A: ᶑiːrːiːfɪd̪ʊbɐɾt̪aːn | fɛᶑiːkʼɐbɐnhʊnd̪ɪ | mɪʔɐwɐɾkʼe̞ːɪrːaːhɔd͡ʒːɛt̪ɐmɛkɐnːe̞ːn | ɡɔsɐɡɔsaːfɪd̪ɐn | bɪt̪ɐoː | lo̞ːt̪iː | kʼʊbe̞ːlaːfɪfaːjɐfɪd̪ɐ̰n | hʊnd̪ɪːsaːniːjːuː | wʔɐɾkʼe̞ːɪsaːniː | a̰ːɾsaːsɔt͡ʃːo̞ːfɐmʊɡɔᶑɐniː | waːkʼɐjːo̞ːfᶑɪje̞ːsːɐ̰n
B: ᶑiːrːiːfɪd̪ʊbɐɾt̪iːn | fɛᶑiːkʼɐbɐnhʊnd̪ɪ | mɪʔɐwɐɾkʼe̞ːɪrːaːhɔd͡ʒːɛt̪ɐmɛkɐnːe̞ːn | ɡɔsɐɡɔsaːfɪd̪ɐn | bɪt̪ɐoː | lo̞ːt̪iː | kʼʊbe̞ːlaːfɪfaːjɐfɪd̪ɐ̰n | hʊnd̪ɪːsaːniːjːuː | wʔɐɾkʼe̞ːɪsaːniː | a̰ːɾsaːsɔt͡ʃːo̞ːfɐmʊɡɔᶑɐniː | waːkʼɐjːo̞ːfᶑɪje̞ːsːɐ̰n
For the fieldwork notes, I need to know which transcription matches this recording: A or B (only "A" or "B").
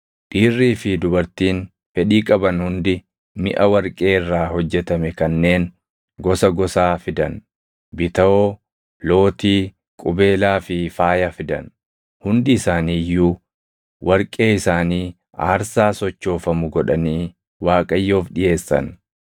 B